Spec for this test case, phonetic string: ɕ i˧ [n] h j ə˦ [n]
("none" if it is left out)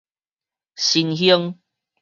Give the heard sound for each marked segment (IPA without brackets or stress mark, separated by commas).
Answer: n, ŋ